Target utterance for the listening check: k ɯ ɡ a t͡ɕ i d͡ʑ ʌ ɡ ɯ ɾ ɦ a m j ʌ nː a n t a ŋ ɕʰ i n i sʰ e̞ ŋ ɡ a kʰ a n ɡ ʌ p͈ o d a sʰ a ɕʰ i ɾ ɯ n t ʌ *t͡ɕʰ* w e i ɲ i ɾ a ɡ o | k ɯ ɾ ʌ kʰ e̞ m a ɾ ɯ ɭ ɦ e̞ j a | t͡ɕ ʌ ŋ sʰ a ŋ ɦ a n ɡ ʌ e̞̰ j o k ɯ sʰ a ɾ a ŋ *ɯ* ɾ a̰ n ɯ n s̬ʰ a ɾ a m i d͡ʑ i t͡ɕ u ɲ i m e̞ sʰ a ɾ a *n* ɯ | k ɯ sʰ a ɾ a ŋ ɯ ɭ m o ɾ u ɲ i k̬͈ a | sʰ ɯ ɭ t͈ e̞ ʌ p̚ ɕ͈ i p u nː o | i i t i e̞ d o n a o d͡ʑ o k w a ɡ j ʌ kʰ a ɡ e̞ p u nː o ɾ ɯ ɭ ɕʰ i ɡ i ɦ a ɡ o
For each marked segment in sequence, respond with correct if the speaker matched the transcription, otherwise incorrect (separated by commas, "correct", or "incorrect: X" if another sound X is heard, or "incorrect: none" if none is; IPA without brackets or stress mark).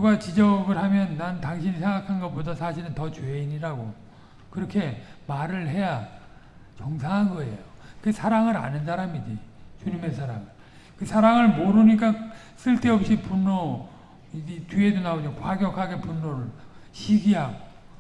incorrect: t͡ɕ, correct, incorrect: ŋ